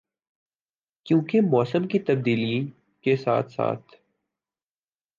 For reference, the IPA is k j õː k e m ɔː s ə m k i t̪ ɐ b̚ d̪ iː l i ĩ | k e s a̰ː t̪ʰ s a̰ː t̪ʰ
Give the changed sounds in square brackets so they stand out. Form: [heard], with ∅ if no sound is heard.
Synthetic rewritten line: k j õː k e m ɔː s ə m k i t̪ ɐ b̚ d̪ iː l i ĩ | k e s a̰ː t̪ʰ s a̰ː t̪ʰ